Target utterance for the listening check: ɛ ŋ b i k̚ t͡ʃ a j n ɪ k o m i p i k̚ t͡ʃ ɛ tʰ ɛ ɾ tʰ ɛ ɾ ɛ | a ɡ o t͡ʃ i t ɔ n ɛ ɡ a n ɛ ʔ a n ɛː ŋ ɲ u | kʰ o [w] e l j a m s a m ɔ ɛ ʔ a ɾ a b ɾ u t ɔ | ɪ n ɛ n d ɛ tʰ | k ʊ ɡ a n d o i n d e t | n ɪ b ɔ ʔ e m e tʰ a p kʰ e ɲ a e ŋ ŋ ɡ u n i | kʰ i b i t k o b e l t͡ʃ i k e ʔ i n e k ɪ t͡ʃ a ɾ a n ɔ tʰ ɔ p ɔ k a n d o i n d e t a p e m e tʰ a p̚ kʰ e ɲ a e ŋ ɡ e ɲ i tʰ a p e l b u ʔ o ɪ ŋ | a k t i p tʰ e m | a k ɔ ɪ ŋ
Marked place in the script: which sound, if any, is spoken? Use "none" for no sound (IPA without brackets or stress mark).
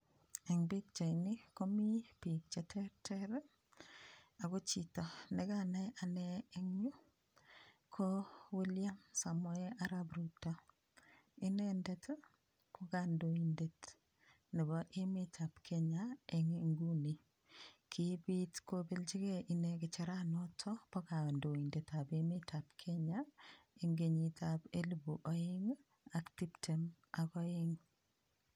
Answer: w